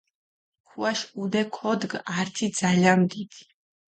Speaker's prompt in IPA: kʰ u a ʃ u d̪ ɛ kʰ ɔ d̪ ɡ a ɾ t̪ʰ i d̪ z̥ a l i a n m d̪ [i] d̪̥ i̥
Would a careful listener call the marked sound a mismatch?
no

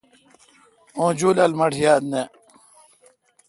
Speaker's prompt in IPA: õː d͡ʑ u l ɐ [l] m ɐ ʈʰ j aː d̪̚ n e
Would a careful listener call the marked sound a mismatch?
no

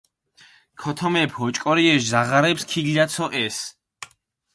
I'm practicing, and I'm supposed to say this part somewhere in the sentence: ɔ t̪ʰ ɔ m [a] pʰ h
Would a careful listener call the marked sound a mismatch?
yes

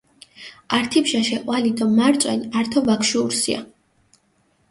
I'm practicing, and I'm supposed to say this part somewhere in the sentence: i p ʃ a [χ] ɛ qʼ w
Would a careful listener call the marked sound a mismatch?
yes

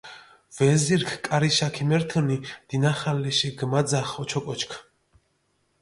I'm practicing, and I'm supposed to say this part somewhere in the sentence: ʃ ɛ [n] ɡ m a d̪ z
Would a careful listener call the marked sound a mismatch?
yes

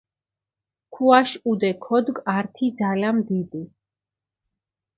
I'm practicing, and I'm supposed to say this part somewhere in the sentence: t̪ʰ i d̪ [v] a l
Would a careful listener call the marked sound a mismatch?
yes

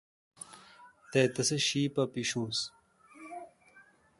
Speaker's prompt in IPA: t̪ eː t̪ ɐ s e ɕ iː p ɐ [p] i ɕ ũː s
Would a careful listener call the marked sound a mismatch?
no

